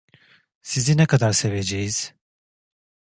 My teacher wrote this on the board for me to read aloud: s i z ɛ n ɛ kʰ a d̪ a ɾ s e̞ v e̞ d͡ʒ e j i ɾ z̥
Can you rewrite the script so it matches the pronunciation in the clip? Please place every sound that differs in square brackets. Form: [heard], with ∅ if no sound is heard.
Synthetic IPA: s i z [i] n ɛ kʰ a d̪ a ɾ s e̞ v e̞ d͡ʒ e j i [∅] z̥